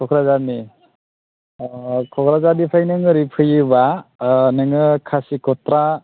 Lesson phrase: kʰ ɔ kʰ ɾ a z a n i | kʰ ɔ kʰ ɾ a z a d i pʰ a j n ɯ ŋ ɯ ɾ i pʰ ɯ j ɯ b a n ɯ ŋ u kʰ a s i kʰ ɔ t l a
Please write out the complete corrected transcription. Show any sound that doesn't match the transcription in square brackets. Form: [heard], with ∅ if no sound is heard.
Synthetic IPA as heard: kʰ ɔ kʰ ɾ a z a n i | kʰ ɔ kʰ ɾ a z a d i pʰ a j n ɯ ŋ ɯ ɾ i pʰ ɯ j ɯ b a n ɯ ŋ [ɯ] kʰ a s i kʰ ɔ t [ɾ] a